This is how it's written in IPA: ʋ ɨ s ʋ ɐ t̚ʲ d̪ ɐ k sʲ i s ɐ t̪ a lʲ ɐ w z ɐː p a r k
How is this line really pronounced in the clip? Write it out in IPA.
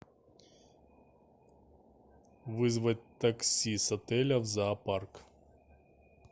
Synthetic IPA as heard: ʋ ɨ z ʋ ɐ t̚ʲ t̪ ɐ k sʲ i s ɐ t̪ ɛ lʲ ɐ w z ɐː p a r k